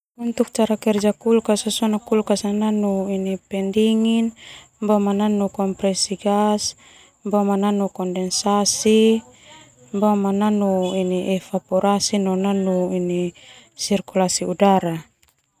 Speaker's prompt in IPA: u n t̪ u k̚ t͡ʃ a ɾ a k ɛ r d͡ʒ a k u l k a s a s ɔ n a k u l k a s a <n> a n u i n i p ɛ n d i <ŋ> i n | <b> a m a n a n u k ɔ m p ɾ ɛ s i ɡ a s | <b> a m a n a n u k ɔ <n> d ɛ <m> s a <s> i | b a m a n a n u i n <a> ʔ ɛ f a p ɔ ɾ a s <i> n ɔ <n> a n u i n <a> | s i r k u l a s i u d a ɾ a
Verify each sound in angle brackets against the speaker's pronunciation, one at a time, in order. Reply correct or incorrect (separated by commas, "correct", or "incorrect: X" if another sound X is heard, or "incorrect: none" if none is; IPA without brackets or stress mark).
correct, correct, correct, correct, correct, incorrect: n, correct, incorrect: i, correct, correct, incorrect: i